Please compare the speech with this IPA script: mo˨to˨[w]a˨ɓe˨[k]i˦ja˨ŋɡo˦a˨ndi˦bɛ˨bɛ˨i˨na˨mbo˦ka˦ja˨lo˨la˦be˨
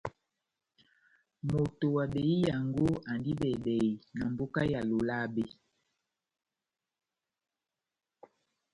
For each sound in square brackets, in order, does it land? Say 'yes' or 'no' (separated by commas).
yes, no